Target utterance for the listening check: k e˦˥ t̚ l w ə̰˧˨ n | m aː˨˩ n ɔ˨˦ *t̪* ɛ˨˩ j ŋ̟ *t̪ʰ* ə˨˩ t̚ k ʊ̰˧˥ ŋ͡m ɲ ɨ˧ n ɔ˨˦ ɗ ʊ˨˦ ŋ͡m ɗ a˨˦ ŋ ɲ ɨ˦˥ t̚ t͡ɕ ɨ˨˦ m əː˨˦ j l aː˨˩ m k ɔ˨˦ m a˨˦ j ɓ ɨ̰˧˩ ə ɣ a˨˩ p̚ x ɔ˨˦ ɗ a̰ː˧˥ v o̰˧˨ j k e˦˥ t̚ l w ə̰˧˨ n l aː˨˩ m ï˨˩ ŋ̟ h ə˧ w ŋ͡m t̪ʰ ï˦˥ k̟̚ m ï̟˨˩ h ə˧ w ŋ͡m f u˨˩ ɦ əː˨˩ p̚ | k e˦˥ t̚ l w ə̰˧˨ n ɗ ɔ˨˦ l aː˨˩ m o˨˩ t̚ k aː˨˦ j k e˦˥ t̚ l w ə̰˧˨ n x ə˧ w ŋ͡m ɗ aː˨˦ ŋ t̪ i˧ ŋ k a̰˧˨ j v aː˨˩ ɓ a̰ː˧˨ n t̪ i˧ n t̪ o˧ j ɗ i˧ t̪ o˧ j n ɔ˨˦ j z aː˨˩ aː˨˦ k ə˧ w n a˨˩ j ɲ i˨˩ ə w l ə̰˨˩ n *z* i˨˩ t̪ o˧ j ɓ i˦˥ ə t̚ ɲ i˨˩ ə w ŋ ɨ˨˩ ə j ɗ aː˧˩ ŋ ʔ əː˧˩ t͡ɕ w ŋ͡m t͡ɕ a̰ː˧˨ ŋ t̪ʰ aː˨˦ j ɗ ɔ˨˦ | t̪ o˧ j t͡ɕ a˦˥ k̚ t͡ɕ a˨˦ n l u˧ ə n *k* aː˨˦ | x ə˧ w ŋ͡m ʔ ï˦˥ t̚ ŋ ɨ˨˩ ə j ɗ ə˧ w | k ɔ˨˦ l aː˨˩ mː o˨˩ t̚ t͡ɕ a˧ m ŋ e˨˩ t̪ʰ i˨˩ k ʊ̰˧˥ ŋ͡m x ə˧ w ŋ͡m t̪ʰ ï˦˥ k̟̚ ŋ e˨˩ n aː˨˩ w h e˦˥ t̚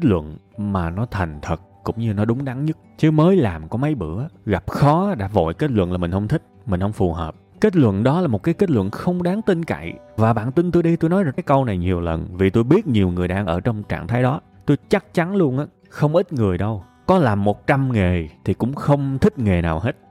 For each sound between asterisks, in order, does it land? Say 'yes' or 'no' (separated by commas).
no, yes, no, no